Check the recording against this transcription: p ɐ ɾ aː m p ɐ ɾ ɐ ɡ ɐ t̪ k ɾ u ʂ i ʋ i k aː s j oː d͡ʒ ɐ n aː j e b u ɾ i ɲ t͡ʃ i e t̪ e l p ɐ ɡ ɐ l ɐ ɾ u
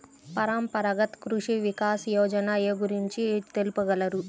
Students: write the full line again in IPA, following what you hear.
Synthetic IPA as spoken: p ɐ ɾ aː m p ɐ ɾ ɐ ɡ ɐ t̪ k ɾ u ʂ i ʋ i k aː s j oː d͡ʒ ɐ n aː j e ɡ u ɾ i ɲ t͡ʃ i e t̪ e l p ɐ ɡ ɐ l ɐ ɾ u